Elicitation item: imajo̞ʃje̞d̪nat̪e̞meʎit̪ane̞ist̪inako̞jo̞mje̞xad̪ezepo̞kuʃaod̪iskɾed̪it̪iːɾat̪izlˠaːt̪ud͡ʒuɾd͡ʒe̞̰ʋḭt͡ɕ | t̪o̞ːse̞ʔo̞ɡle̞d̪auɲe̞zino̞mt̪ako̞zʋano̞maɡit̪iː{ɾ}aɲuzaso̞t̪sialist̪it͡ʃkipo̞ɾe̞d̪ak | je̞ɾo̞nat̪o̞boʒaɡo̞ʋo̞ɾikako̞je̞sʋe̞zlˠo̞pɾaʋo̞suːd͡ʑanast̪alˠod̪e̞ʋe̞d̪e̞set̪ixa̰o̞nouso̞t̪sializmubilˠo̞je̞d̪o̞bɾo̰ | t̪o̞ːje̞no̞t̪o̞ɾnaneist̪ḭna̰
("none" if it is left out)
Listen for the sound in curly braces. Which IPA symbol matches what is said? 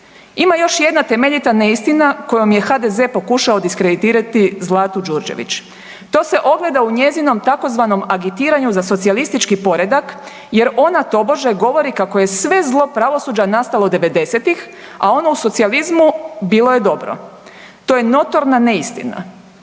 ɾ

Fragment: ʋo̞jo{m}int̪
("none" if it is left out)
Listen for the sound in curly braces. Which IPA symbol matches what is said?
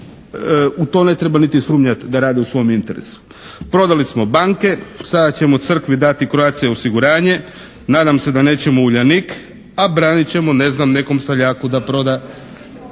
m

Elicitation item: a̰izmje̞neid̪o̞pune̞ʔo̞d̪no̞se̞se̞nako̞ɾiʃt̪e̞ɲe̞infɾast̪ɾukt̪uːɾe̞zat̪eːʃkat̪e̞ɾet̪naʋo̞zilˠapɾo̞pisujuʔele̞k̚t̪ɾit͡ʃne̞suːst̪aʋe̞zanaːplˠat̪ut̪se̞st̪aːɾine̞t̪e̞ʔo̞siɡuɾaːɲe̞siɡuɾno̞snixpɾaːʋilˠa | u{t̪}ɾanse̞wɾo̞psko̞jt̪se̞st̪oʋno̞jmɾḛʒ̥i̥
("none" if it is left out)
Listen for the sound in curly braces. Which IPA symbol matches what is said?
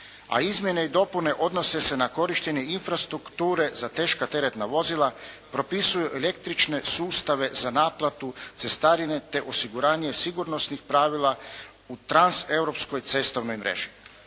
t̪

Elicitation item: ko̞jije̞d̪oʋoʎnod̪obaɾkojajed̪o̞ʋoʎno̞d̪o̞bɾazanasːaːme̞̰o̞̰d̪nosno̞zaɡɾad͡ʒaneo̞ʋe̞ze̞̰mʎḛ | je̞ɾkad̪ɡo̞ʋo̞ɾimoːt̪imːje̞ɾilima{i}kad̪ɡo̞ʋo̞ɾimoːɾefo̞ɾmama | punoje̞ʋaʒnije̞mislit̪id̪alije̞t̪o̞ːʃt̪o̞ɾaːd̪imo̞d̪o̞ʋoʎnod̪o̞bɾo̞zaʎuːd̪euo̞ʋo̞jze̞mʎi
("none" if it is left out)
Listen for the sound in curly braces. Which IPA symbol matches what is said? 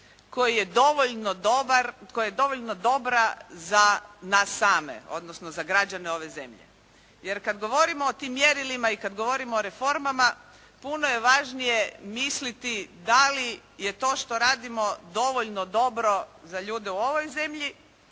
i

